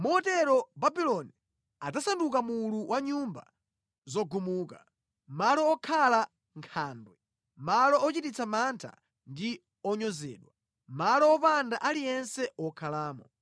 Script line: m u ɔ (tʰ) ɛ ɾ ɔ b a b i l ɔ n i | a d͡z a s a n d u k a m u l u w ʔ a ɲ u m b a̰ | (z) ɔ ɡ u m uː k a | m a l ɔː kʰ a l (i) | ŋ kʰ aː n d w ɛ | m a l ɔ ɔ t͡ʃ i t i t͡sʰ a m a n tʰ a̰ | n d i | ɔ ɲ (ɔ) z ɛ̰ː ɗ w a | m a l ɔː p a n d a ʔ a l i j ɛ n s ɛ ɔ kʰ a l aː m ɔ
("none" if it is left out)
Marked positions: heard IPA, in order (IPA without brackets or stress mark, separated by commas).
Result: t, z, a, ɔ